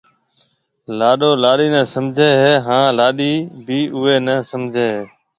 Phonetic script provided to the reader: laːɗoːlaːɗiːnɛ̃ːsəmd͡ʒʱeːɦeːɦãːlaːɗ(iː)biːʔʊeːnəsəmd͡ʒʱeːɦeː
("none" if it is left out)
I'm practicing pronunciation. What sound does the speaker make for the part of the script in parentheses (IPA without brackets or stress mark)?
iː